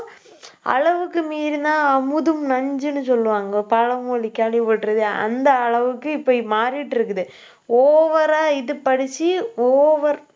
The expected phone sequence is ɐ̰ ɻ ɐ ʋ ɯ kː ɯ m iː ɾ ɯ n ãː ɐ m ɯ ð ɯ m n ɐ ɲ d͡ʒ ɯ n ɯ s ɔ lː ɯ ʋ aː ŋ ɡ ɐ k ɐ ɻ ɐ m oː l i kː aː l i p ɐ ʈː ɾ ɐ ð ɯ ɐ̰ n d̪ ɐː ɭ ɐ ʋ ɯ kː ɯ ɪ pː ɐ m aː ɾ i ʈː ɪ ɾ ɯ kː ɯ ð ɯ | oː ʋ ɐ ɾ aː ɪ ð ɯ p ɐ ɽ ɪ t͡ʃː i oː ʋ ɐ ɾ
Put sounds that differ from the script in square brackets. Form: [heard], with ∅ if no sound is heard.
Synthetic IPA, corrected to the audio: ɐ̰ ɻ ɐ ʋ ɯ kː ɯ m iː ɾ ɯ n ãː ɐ m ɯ ð ɯ m n ɐ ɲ d͡ʒ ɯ n ɯ s ɔ lː ɯ ʋ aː ŋ ɡ ɐ [p] ɐ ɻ ɐ m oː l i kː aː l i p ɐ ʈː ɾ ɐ ð ɯ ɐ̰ n d̪ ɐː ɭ ɐ ʋ ɯ kː ɯ ɪ pː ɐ m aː ɾ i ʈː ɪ ɾ ɯ kː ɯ ð ɯ | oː ʋ ɐ ɾ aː ɪ ð ɯ p ɐ ɽ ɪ t͡ʃː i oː ʋ ɐ ɾ